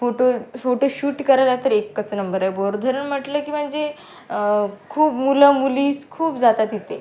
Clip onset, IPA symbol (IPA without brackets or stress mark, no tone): f